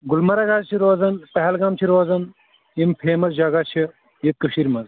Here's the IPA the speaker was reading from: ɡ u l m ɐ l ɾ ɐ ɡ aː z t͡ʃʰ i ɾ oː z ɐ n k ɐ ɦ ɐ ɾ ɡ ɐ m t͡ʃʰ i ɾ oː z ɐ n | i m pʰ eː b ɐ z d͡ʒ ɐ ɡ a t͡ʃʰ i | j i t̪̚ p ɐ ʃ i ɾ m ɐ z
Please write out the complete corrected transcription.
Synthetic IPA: ɡ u l m ɐ ɾ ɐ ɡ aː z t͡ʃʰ i ɾ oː z ɐ n p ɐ ɦ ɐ l ɡ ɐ m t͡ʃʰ i ɾ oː z ɐ n | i m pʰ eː m ɐ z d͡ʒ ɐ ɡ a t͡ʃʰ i | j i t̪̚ k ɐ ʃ i ɾ m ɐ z

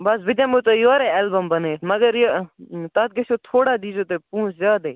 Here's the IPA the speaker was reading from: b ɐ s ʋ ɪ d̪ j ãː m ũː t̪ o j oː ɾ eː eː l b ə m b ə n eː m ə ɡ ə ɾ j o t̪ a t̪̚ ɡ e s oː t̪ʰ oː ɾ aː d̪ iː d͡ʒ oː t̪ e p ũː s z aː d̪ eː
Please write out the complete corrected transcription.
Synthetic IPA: b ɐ s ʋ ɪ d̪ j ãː m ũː t̪ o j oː ɾ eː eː l b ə m b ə n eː m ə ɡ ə ɾ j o t̪ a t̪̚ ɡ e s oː t̪ʰ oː ɽ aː d̪ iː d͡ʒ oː t̪ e p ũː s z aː d̪ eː

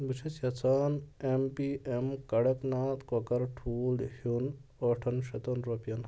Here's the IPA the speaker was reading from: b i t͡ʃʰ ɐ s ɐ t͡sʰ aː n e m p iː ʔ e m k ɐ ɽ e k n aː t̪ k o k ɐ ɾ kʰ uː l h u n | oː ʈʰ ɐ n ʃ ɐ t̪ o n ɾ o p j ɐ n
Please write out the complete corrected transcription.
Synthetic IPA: b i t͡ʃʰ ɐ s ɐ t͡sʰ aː n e m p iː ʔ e m k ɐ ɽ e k n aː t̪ k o k ɐ ɾ ʈʰ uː l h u n | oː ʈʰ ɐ n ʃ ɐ t̪ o n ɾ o p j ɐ n

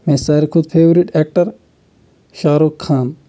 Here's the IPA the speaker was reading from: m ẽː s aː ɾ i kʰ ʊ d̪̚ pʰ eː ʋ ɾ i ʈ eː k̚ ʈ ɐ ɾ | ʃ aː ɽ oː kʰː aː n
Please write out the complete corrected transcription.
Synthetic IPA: m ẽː s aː ɾ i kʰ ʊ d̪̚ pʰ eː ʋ ɾ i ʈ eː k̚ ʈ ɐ ɾ | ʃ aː ɾ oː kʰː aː n

